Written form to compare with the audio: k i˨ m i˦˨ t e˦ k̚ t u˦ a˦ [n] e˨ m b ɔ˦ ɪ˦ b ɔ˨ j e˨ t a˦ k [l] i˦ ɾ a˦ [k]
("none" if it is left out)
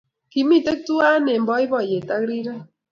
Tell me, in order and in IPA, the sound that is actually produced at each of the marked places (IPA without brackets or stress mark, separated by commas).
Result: n, ɾ, none